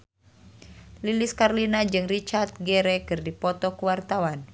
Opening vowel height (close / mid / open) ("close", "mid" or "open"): close